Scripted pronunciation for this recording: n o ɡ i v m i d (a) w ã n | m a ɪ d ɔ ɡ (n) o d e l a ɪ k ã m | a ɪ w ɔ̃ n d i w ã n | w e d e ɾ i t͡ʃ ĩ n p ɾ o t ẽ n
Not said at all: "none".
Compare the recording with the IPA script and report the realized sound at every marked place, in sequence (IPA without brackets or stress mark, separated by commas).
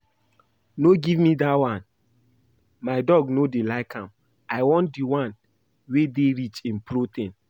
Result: a, n